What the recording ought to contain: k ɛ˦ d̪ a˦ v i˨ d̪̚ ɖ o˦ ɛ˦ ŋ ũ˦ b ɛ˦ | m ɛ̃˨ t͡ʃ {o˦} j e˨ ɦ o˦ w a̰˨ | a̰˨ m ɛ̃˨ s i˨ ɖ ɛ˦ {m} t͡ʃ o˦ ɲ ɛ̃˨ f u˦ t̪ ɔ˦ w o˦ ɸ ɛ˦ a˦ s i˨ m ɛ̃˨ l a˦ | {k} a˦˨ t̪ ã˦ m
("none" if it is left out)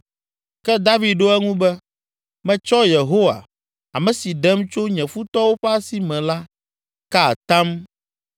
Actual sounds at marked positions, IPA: ɔ˦, m, k

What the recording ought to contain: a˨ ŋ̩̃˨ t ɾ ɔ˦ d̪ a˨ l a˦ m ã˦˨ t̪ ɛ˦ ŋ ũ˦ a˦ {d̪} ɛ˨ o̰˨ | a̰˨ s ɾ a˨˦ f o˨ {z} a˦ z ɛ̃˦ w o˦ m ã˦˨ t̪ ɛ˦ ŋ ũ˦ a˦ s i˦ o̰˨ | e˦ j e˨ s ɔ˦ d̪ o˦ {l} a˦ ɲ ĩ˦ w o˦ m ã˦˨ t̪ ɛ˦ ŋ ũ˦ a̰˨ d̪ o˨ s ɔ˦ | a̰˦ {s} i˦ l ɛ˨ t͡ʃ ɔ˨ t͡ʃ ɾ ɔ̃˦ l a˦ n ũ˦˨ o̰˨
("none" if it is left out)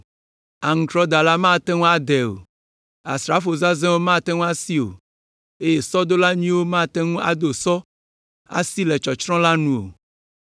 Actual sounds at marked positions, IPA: d̪, z, l, s

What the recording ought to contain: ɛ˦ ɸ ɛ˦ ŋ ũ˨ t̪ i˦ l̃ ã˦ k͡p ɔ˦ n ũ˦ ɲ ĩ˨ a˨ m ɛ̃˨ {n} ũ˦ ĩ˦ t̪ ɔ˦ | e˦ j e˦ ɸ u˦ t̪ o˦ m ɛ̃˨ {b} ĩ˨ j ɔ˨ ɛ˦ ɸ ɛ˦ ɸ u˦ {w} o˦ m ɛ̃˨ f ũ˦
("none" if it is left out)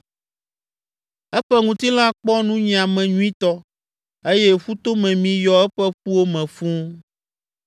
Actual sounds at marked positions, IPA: ɲ, m, w

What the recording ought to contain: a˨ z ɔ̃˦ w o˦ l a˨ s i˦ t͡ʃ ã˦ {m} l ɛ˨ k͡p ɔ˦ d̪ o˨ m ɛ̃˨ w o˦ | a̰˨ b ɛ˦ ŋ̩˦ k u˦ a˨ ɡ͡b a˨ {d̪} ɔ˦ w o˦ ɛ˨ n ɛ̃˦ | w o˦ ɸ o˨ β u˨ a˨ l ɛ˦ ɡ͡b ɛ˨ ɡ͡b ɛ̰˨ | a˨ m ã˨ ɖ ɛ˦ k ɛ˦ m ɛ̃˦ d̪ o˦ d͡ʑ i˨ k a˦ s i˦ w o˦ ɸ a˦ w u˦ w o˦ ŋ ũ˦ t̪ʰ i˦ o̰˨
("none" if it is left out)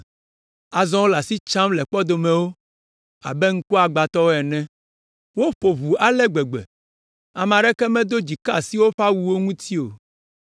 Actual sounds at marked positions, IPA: m, t̪

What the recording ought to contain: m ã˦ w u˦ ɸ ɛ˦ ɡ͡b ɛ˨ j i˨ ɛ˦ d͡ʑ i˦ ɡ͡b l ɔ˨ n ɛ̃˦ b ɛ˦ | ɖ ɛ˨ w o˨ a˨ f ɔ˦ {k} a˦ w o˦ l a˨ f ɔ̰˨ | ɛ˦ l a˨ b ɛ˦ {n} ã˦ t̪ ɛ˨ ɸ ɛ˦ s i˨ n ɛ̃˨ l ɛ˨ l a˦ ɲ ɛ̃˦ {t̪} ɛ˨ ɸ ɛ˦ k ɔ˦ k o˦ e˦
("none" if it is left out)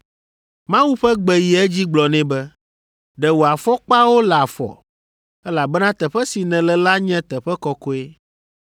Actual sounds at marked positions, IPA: k͡p, n, t̪

